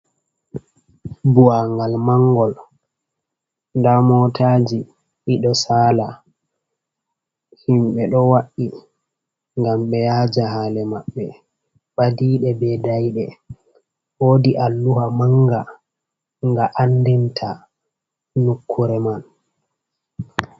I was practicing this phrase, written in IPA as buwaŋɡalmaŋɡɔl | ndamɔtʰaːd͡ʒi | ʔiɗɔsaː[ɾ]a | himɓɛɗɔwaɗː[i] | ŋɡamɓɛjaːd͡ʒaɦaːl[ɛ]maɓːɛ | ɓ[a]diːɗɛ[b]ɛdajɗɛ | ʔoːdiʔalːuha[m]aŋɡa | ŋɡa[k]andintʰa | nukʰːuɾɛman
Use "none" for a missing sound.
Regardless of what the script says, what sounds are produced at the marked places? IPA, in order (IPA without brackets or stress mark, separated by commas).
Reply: l, i, ɛ, a, b, m, ʔ